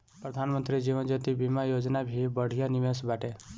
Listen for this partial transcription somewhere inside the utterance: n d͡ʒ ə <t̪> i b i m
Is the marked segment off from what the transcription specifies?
no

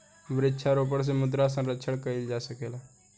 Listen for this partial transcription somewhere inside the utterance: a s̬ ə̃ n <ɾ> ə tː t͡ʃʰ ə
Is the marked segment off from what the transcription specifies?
no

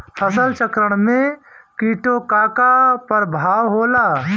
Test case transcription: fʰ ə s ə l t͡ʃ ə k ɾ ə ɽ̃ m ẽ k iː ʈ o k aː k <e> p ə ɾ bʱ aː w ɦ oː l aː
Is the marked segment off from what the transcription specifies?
yes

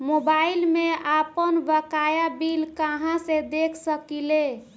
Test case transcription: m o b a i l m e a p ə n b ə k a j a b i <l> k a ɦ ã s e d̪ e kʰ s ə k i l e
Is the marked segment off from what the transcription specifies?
no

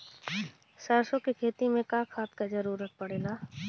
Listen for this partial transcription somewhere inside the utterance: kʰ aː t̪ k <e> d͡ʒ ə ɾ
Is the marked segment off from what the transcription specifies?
yes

